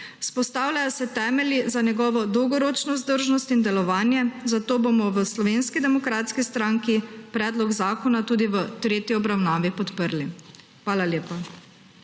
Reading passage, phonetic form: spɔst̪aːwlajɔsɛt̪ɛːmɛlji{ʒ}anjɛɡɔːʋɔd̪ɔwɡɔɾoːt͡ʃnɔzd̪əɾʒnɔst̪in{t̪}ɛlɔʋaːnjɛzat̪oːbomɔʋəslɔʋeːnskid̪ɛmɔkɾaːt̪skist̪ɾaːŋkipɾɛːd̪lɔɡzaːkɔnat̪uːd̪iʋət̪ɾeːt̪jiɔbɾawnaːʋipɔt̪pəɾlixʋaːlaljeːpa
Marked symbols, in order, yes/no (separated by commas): no, no